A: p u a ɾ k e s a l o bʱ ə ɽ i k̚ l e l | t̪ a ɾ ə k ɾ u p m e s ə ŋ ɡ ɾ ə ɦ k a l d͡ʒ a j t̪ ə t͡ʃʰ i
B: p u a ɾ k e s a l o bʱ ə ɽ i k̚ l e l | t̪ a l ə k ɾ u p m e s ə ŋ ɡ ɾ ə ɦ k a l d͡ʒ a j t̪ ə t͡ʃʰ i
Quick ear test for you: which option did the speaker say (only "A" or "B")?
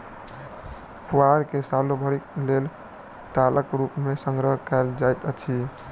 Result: B